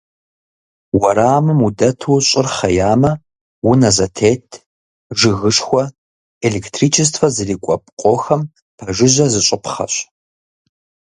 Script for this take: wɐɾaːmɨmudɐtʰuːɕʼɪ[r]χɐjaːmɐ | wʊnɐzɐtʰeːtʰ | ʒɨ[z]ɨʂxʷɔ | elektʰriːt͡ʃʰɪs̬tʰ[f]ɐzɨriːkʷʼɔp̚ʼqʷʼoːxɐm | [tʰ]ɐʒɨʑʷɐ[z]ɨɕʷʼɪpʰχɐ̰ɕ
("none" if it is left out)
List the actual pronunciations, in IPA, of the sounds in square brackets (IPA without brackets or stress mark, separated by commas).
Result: r, ɣ, f, pʰ, z